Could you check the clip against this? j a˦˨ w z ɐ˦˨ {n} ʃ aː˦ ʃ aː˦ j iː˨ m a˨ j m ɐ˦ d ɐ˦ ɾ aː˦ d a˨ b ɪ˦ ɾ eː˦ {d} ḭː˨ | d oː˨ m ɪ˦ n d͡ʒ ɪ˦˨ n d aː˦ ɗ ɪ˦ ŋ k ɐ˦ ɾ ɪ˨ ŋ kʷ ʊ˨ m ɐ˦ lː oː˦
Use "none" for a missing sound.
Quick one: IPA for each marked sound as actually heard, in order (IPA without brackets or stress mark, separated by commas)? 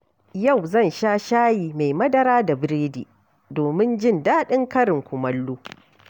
n, d